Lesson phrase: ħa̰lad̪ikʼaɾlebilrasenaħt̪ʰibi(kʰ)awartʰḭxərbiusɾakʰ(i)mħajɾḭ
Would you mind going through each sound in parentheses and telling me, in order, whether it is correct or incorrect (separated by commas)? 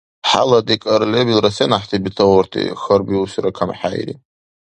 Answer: incorrect, incorrect